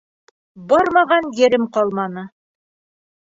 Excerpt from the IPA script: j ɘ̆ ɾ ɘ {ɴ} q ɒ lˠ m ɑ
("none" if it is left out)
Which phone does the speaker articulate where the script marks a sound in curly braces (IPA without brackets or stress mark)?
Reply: m